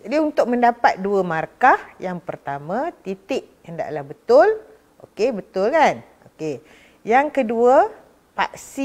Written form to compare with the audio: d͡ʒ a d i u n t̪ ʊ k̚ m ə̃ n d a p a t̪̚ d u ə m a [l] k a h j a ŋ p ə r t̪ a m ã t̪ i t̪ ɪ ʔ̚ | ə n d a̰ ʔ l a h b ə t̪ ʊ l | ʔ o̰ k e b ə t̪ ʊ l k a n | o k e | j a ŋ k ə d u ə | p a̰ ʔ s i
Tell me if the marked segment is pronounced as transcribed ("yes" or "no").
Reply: no